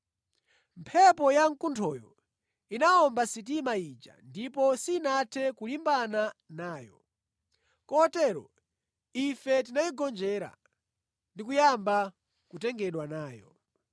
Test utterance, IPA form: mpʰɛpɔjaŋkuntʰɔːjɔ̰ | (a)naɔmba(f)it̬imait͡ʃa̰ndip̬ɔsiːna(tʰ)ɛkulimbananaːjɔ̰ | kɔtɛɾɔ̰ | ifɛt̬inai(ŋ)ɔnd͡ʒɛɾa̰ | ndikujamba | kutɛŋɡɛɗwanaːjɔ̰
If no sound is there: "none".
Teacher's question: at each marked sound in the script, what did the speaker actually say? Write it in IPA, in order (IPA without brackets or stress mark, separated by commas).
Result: i, s, tʰ, ɡ